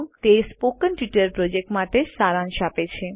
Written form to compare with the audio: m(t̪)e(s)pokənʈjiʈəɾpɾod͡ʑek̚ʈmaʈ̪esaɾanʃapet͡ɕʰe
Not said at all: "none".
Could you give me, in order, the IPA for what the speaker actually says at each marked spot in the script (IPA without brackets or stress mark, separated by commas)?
t̪, s